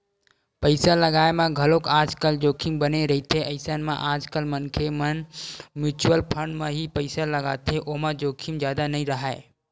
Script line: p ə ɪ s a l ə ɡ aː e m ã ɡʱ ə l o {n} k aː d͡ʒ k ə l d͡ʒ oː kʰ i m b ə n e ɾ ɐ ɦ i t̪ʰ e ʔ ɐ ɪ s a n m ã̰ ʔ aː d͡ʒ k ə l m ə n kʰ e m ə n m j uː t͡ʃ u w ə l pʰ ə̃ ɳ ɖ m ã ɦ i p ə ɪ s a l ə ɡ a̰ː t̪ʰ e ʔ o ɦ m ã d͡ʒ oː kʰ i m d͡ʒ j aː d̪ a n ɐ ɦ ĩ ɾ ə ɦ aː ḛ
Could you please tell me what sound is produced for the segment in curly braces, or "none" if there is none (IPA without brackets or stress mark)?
none